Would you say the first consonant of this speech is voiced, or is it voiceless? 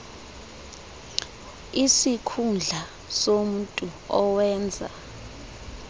voiceless